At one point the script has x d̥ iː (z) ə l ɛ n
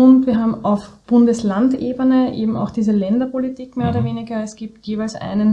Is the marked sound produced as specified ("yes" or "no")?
yes